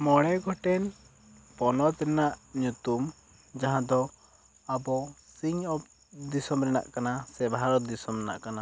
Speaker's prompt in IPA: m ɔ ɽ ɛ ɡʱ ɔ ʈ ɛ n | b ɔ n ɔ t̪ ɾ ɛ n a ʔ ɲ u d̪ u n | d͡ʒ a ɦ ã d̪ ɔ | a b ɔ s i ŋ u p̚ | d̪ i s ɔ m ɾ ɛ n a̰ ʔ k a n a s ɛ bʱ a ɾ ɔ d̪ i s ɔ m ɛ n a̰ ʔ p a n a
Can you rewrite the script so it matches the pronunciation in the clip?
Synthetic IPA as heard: m ɔ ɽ ɛ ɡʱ ɔ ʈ ɛ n | p ɔ n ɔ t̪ ɾ ɛ n a ʔ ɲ u t̪ u m | d͡ʒ a ɦ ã d̪ ɔ | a b ɔ s i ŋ ɔ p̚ | d̪ i s ɔ m ɾ ɛ n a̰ ʔ k a n a s ɛ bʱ a ɾ ɔ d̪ i s ɔ m ɛ n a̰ ʔ k a n a